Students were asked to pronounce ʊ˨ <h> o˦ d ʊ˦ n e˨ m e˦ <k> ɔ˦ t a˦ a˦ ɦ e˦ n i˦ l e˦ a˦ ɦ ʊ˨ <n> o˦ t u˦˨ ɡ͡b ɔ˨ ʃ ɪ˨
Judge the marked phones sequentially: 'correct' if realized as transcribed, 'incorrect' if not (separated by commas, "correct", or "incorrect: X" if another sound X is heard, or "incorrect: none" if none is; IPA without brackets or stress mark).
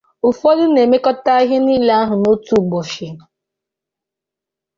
incorrect: f, correct, correct